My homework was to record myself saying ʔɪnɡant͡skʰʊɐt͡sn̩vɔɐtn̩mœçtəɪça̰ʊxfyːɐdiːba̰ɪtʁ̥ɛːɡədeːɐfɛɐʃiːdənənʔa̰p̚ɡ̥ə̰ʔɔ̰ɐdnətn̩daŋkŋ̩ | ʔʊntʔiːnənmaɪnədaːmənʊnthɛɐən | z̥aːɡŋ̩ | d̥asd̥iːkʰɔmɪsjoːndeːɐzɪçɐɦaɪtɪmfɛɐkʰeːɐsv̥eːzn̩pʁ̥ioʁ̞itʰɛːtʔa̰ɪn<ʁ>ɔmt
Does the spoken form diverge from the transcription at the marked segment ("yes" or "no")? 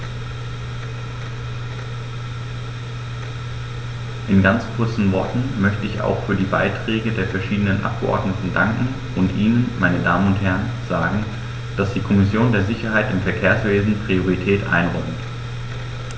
no